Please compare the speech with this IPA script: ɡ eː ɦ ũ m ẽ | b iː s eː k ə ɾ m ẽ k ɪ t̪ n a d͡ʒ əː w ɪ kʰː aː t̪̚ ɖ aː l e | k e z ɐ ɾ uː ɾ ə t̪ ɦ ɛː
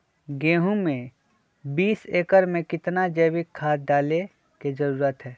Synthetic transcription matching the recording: ɡ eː ɦ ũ m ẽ | b iː s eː k ə ɾ m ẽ k ɪ t̪ n a d͡ʒ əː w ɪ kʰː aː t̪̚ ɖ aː l e | k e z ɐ ɾ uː ɾ ə t̪ ɦ ɛː